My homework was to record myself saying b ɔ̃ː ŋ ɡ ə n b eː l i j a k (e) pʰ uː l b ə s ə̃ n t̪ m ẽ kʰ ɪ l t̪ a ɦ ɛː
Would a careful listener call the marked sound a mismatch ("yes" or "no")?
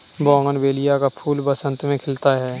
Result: yes